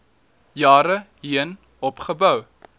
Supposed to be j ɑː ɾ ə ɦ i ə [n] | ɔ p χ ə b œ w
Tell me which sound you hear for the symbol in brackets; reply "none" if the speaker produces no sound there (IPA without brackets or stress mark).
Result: n